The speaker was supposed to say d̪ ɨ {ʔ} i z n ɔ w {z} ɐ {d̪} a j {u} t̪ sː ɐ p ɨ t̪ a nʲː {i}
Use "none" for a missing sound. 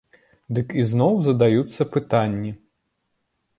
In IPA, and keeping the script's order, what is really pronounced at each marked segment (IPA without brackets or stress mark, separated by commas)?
k, z, d̪, u, i